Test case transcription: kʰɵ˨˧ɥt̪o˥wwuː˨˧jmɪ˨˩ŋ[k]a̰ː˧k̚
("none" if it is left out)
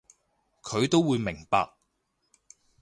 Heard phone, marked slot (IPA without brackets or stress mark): p